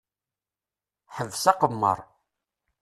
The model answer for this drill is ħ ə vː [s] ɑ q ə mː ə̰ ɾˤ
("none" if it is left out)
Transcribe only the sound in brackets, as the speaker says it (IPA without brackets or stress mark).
s